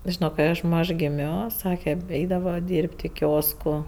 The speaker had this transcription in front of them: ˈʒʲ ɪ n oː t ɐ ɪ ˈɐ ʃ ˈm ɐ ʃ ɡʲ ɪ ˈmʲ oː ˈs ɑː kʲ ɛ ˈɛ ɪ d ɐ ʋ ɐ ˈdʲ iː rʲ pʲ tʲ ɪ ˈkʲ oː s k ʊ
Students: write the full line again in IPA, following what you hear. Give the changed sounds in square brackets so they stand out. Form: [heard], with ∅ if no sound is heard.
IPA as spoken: ˈʒʲ ɪ n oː [k] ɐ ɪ ˈɐ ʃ ˈm ɐ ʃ ɡʲ ɪ ˈmʲ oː ˈs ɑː kʲ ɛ ˈɛ ɪ d ɐ ʋ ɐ ˈdʲ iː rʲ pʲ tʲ ɪ ˈkʲ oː s k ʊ